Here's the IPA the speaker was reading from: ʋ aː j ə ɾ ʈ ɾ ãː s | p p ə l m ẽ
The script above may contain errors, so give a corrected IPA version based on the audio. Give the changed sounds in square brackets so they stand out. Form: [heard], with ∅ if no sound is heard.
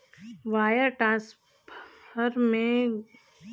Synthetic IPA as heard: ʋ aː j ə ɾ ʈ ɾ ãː s | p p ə [ɾ] m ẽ